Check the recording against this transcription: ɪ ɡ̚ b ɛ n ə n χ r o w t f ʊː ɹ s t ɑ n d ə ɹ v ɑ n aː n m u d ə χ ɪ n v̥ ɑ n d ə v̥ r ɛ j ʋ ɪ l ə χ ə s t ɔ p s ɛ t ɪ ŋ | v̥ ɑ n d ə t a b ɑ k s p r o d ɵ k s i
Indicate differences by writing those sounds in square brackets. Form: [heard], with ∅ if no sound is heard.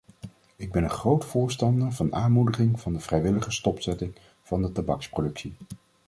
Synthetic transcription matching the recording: ɪ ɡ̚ b ɛ n ə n χ r o w t f ʊː ɹ s t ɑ n d ə ɹ v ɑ n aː n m u d ə χ ɪ [ŋ] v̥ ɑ n d ə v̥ r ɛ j ʋ ɪ l ə χ ə s t ɔ p s ɛ t ɪ ŋ | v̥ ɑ n d ə t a b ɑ k s p r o d ɵ k s i

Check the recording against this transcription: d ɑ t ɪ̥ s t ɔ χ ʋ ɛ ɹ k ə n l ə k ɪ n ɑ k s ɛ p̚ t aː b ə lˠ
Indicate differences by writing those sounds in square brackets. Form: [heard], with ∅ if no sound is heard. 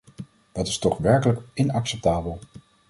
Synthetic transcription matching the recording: d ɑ t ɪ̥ s t ɔ χ ʋ ɛ ɹ k ə [∅] l ə k ɪ n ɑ k s ɛ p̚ t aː b ə lˠ

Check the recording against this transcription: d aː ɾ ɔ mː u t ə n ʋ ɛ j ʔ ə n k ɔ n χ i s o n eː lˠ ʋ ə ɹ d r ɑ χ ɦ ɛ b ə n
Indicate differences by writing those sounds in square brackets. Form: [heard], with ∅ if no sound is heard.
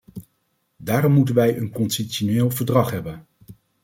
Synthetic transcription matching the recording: d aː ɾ ɔ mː u t ə n ʋ ɛ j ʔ ə n k ɔ n [s] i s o n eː lˠ [v] ə ɹ d r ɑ χ ɦ ɛ b ə n

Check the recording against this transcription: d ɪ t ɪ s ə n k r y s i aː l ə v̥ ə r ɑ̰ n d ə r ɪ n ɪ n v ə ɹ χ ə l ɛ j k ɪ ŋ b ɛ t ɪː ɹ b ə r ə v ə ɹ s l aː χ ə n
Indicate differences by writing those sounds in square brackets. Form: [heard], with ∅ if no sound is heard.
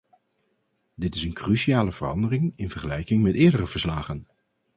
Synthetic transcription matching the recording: d ɪ t ɪ s ə n k r y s i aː l ə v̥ ə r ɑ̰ n d ə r ɪ [ŋ] ɪ n v ə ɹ χ ə l ɛ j k ɪ ŋ [m] ɛ t ɪː ɹ [d] ə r ə v ə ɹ s l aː χ ə n

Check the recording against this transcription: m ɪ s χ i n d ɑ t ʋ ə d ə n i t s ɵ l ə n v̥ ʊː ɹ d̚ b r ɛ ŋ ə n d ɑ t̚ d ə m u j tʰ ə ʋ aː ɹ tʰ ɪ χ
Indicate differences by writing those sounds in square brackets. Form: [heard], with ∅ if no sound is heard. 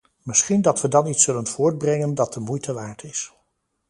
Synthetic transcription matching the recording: m ɪ s χ i n d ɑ t ʋ ə d [ɑ] n i t s ɵ l ə n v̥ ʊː ɹ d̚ b r ɛ ŋ ə n d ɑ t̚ d ə m u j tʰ ə ʋ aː ɹ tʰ ɪ [s]

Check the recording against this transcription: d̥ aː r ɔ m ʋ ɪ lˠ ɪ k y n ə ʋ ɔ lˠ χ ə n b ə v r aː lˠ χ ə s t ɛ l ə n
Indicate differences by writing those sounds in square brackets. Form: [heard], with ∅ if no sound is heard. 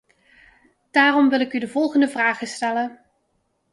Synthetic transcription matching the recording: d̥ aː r ɔ m ʋ ɪ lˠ ɪ k y [d] ə [v] ɔ lˠ χ ə n [d] ə v r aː [∅] χ ə s t ɛ l ə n

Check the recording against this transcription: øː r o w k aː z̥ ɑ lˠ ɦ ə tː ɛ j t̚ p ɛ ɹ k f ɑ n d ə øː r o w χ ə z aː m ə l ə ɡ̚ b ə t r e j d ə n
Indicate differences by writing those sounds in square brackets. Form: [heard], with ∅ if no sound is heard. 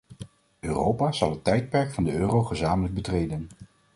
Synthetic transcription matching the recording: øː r o w [p] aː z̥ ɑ lˠ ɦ ə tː ɛ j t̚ p ɛ ɹ k f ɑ n d ə øː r o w χ ə z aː m ə l ə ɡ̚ b ə t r e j d ə n

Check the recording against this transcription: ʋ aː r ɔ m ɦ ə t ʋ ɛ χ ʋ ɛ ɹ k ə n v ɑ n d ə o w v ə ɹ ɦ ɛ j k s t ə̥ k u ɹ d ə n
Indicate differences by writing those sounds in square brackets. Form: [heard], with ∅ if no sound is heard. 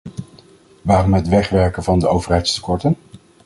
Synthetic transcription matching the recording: ʋ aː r ɔ m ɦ ə t ʋ ɛ χ ʋ ɛ ɹ k ə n v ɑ n d ə o w v ə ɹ ɦ ɛ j [t] s t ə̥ k [ɔ] ɹ [t] ə n

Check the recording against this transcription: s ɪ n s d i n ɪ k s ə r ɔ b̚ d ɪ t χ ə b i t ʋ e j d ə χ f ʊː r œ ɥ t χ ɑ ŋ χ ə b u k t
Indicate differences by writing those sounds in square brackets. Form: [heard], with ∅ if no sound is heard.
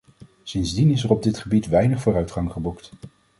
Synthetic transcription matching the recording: s ɪ n [z] d i n ɪ [∅] s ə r ɔ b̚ d ɪ t χ ə b i t ʋ [ɛ] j [n] ə χ f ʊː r œ ɥ t χ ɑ ŋ χ ə b u k t

